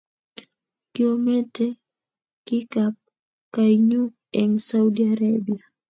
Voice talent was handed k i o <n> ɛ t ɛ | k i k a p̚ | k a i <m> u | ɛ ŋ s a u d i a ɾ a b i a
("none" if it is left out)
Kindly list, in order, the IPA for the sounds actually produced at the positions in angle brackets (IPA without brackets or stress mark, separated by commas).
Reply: m, ɲ